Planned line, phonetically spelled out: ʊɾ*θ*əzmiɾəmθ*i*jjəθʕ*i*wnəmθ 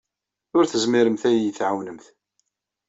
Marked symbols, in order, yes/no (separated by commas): yes, no, no